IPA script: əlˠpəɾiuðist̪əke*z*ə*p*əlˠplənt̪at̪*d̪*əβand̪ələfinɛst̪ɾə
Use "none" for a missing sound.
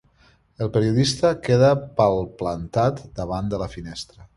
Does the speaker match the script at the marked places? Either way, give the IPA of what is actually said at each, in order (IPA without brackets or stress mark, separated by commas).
ð, p, d̪